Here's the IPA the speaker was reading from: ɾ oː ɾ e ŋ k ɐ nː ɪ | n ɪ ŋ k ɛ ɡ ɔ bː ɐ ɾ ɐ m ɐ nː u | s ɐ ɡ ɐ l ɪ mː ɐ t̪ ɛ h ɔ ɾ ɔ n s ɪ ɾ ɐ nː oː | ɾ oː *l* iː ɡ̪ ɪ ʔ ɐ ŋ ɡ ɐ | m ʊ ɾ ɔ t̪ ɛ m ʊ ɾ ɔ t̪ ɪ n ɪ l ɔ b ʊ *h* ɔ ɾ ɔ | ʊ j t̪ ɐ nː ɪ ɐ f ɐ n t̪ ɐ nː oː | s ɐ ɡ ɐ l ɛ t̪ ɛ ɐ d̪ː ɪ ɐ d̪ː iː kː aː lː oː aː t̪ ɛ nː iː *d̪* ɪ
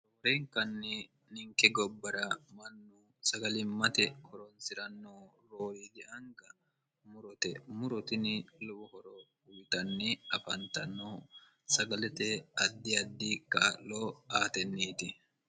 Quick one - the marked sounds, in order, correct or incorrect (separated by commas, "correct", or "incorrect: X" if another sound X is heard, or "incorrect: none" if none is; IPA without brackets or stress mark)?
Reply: incorrect: ɾ, correct, incorrect: t̪